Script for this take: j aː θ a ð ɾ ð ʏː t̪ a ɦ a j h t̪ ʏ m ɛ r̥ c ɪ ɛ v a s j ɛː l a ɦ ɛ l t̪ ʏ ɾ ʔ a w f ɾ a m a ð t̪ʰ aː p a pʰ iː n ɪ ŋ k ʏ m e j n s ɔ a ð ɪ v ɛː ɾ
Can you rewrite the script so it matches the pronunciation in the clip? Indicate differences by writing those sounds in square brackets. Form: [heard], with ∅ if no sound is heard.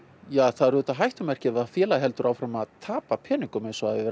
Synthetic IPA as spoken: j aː θ a ð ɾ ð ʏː t̪ a ɦ a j h t̪ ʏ m ɛ r̥ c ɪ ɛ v a [f] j ɛː l a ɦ ɛ l t̪ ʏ ɾ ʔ a w f ɾ a m a ð t̪ʰ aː p a pʰ [ɛː] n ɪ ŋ k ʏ m e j n s ɔ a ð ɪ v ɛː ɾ